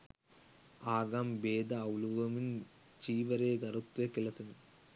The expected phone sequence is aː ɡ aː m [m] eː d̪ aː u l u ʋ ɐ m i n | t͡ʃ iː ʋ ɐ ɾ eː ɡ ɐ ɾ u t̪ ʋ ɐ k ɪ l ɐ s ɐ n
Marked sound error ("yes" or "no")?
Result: yes